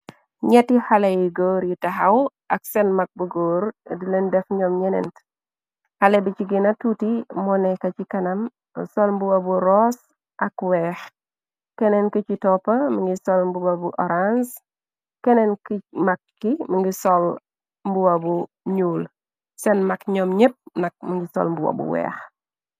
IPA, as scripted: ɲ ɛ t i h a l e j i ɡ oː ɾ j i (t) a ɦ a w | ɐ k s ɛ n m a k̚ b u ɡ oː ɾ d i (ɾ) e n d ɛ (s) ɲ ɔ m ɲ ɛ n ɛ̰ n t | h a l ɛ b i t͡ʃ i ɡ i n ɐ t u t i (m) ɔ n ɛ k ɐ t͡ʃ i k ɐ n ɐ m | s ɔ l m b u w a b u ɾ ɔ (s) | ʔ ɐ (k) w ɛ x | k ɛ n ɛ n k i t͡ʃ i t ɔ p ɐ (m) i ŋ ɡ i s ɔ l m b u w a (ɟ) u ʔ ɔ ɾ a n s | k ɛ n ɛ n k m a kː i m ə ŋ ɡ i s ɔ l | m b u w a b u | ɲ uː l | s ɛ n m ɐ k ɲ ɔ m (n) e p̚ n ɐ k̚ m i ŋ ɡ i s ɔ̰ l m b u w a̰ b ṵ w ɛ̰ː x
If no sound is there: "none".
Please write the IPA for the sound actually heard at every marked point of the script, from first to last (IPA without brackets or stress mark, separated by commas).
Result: t, l, f, m, s, k, m, b, ɲ